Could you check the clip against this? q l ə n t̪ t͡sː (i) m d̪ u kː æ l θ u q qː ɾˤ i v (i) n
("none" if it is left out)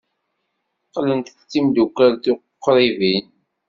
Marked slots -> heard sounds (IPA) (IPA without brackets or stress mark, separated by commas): i, i